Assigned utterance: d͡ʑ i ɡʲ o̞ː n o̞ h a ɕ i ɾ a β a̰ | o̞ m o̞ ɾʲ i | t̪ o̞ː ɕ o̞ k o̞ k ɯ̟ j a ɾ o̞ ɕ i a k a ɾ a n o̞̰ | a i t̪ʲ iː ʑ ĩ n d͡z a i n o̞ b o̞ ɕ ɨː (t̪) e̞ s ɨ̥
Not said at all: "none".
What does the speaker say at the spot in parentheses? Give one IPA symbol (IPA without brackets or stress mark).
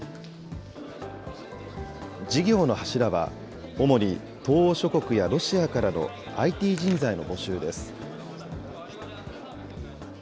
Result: d̪